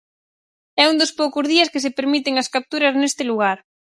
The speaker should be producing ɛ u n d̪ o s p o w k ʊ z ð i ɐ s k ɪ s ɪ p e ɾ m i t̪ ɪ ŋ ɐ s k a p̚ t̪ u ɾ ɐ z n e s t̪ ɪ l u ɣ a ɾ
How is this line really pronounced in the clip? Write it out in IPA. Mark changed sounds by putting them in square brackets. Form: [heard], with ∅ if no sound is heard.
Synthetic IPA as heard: ɛ u n d̪ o s p o w k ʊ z ð i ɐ s k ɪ s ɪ p e ɾ m i t̪ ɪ ŋ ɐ s k a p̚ t̪ u ɾ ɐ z n e s t̪ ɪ l u ɣ a ɾ